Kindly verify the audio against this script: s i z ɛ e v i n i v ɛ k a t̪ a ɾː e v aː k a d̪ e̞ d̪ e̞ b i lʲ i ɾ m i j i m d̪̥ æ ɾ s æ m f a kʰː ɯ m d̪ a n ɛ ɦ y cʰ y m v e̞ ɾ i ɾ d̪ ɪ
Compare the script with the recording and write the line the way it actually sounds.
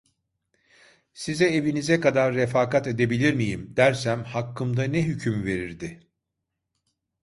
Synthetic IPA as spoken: s i z ɛ e v i n i z ɛ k a d̪ a ɾː e f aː k a t̪ e̞ d̪ e̞ b i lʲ i ɾ m i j i m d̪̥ æ ɾ s æ m h a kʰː ɯ m d̪ a n ɛ ɦ y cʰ y m v e̞ ɾ i ɾ d̪ ɪ